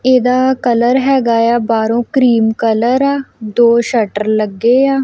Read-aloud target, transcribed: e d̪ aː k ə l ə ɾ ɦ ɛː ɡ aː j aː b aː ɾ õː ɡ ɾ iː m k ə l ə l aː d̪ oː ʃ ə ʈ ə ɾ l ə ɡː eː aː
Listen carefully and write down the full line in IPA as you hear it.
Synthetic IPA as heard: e d̪ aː k ə l ə ɾ ɦ ɛː ɡ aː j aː b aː ɾ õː k ɾ iː m k ə l ə ɾ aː d̪ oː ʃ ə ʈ ə ɾ l ə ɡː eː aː